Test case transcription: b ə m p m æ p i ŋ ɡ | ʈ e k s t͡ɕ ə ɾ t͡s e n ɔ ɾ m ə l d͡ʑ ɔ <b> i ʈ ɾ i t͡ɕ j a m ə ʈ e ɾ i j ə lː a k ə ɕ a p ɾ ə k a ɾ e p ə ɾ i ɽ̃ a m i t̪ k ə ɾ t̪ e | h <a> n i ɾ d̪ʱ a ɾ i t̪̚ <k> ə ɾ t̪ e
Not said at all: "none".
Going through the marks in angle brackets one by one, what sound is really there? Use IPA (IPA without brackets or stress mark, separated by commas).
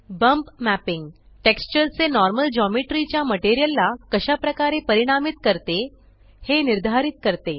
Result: m, e, k